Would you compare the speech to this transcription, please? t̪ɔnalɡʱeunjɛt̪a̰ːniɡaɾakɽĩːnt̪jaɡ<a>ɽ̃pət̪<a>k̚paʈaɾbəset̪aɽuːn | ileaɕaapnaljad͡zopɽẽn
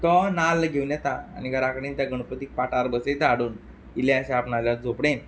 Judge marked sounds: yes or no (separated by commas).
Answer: no, no